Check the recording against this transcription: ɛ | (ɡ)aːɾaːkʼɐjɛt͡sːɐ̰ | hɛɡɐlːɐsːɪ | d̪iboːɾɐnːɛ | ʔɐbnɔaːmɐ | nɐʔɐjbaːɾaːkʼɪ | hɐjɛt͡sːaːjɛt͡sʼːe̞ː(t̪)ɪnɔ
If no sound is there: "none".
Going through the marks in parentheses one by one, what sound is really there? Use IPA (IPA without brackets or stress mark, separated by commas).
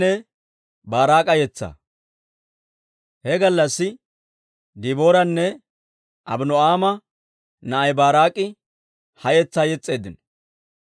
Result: b, d̪